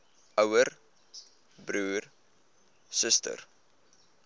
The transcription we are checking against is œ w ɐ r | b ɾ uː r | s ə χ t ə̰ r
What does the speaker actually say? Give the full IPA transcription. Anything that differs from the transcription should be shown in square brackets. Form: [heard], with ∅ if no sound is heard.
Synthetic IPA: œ w [ə] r | b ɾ uː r | s ə [s] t ə̰ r